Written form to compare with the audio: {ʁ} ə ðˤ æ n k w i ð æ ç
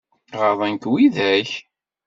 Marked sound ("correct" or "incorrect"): correct